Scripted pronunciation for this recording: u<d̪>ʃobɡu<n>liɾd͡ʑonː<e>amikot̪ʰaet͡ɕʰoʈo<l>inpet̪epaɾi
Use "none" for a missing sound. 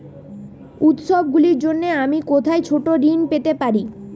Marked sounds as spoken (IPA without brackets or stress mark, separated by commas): t̪, none, e, ɾ